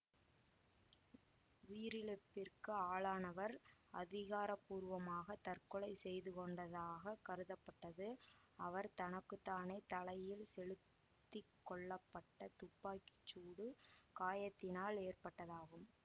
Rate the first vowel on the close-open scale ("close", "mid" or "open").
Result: close